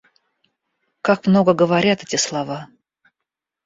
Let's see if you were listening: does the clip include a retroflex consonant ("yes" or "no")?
no